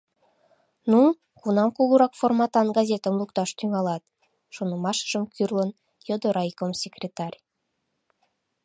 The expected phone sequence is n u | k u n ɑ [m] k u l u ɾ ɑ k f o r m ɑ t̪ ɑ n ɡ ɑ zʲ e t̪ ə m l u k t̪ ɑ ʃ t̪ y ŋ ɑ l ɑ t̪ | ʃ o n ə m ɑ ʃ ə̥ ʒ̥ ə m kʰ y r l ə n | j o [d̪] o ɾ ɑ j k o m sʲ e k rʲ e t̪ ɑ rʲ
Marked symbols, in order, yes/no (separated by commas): yes, yes